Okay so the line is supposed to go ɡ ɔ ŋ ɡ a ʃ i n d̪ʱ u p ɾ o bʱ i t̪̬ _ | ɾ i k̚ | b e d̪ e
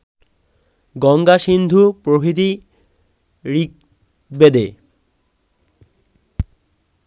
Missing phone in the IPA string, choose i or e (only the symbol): i